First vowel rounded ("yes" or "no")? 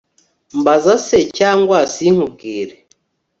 no